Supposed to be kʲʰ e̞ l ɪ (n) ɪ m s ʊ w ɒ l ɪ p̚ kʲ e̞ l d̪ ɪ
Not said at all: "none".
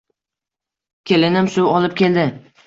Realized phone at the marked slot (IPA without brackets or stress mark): n